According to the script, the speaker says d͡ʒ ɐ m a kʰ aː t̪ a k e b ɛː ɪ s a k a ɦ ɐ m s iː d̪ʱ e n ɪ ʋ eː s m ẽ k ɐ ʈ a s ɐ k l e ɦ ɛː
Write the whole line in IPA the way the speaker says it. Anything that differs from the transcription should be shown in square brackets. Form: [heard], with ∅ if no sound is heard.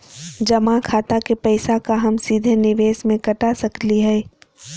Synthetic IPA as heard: d͡ʒ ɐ m a kʰ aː t̪ a k e [p] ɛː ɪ s a k a ɦ ɐ m s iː d̪ʱ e n ɪ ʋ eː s m ẽ k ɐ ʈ a s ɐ k l [i] ɦ ɛː